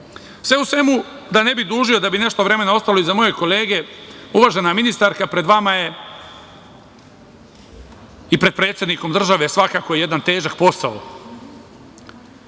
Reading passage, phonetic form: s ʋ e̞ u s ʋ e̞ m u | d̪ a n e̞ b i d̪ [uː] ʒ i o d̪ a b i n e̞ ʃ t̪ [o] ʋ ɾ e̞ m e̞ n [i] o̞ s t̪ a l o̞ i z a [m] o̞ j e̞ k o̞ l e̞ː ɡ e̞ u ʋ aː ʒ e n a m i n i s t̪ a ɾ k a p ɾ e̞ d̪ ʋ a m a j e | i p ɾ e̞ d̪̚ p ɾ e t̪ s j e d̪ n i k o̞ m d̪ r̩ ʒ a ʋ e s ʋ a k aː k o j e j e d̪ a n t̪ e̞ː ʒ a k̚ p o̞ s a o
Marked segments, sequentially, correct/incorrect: correct, correct, incorrect: a, correct

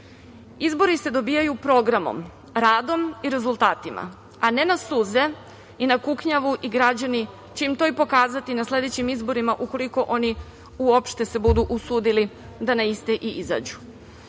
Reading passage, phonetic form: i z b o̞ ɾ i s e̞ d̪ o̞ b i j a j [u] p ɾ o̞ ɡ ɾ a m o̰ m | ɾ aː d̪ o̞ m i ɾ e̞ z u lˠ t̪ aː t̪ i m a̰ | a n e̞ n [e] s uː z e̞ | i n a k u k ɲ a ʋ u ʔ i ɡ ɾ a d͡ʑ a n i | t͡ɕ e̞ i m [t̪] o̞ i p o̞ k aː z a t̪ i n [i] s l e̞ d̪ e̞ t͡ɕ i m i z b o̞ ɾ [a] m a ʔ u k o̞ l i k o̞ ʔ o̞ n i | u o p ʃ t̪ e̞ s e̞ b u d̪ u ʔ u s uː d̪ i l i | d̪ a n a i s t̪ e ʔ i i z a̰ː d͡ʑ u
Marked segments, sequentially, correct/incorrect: correct, incorrect: a, correct, incorrect: a, incorrect: i

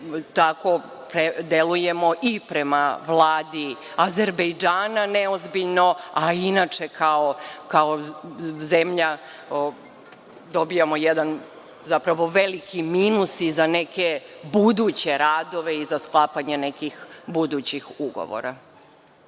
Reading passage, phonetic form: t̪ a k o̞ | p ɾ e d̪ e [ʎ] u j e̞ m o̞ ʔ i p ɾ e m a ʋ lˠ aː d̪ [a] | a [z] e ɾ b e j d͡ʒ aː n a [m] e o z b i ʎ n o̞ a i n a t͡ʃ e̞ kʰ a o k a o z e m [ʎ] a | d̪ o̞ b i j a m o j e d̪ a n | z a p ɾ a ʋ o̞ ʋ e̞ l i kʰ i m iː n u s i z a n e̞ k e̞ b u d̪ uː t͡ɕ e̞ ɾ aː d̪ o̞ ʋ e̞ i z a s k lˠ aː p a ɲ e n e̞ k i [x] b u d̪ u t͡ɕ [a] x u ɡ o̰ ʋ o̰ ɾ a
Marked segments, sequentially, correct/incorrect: incorrect: l, incorrect: i, correct, incorrect: n, correct, correct, incorrect: i

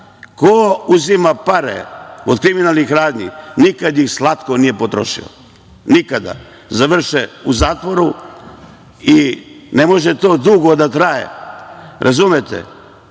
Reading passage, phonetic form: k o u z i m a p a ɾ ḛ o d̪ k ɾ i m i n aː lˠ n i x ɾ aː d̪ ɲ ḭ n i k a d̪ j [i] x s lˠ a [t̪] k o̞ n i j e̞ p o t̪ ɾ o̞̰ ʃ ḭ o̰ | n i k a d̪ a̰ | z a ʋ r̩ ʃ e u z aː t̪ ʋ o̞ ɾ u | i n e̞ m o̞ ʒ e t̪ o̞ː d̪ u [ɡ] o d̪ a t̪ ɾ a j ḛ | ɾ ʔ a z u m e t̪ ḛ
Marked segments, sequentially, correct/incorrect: correct, correct, correct

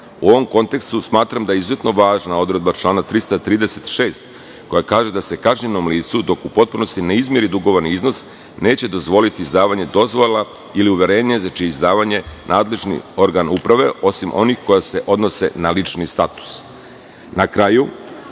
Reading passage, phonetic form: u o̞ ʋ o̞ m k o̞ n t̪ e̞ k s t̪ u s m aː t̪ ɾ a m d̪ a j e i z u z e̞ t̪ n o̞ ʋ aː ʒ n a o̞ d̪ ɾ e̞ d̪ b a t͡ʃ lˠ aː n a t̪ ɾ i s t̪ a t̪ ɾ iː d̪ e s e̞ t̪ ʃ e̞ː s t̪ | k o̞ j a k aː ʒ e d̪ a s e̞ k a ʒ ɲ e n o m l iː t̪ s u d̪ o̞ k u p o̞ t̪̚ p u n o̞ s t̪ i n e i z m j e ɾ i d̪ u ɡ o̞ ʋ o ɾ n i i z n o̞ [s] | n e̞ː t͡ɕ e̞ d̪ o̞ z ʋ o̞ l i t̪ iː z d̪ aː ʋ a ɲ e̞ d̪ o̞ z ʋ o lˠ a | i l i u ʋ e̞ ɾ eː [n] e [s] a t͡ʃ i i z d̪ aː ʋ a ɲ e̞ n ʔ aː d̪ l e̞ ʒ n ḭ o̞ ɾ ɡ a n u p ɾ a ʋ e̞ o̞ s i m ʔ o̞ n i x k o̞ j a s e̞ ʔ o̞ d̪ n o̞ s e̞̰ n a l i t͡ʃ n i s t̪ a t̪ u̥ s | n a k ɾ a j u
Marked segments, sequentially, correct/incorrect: correct, incorrect: ɲ, incorrect: z

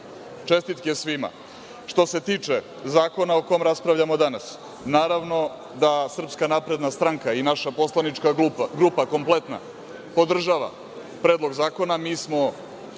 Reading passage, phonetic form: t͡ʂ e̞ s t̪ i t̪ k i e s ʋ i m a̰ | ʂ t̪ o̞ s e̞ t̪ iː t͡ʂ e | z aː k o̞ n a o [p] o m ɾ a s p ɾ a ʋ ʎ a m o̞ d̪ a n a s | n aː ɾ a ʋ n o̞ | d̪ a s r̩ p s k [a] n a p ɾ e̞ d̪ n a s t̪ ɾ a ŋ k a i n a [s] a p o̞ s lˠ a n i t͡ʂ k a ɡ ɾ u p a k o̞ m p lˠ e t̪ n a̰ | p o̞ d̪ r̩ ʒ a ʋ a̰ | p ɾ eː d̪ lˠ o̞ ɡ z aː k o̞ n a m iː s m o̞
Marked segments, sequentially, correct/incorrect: incorrect: k, correct, incorrect: ʃ

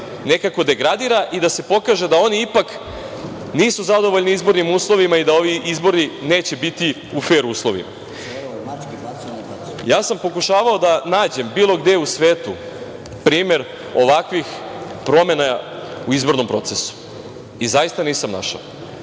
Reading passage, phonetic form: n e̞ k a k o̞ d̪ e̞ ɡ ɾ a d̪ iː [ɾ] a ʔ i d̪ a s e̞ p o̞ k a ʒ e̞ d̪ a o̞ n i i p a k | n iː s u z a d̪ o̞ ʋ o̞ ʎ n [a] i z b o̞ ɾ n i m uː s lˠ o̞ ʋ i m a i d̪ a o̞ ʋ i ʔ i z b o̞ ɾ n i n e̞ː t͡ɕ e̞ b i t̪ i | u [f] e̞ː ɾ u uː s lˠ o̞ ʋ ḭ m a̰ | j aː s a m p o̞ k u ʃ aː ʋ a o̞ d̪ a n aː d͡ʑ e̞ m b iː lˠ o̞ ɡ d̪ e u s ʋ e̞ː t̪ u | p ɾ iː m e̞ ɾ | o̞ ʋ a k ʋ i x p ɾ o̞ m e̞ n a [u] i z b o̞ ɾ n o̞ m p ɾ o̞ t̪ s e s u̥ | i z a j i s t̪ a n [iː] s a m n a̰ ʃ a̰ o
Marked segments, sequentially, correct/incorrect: correct, incorrect: i, correct, correct, correct

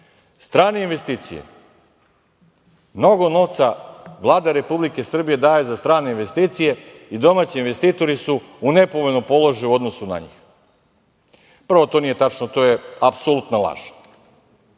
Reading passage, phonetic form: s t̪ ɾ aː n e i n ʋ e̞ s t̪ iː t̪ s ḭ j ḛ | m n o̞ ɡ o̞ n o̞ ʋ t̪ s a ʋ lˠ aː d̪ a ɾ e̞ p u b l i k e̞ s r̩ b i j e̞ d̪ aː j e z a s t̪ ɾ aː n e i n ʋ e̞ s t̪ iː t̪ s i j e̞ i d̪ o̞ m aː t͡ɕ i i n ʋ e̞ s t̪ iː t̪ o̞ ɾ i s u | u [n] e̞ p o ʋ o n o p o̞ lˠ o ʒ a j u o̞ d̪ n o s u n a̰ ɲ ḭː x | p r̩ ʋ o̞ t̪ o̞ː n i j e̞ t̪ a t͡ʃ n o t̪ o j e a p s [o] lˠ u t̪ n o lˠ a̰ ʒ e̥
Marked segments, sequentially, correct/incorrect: correct, correct

